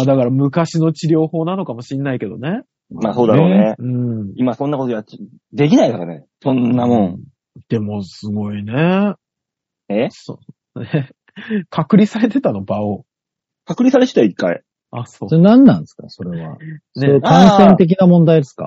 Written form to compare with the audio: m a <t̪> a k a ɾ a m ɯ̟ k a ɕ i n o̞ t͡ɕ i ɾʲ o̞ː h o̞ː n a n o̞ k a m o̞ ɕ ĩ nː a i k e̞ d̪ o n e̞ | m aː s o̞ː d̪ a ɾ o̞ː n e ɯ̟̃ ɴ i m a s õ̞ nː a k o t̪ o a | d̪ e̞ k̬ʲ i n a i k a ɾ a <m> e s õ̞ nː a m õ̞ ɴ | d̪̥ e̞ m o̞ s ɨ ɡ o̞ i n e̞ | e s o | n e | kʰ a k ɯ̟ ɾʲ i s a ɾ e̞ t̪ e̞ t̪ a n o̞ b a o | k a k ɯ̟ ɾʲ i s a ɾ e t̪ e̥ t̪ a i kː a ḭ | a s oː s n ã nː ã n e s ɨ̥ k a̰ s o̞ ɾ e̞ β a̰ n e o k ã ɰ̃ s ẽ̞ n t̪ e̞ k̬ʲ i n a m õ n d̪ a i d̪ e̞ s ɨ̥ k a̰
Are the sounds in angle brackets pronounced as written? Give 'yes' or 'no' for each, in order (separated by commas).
no, no